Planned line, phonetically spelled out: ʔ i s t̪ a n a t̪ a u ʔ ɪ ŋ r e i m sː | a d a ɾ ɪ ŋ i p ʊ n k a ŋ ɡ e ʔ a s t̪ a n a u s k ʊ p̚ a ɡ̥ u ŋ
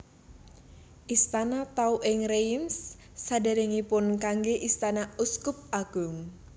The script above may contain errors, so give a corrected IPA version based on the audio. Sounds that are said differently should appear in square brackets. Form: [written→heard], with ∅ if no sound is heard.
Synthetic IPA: ʔ i s t̪ a n a t̪ a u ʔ ɪ ŋ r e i m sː | a d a ɾ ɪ ŋ i p ʊ n k a ŋ ɡ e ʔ [a→i] s t̪ a n a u s k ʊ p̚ a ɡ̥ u ŋ